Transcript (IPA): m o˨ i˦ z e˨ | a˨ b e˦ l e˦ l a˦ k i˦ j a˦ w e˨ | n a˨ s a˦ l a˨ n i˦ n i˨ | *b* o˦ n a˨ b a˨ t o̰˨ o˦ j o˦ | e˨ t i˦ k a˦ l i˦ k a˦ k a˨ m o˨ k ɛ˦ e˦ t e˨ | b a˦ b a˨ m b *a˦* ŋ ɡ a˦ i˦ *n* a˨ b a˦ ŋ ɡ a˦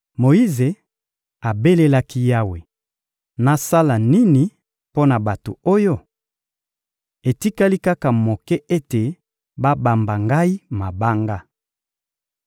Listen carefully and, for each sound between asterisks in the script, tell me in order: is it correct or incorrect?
incorrect: p, incorrect: a˨, incorrect: m

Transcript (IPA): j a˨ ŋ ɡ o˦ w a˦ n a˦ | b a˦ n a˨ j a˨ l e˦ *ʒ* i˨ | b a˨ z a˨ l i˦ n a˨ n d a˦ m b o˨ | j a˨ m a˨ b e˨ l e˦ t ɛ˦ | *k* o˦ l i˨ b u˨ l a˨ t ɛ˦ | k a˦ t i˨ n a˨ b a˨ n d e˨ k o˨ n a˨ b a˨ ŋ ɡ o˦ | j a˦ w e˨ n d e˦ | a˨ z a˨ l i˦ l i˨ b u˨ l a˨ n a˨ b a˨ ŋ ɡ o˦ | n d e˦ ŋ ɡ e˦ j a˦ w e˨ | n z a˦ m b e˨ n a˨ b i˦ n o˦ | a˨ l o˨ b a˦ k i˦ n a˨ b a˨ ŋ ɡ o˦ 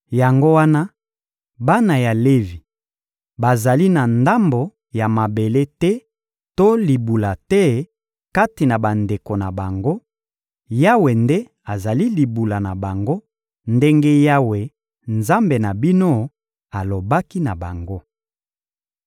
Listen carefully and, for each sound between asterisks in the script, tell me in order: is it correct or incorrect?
incorrect: v, incorrect: t

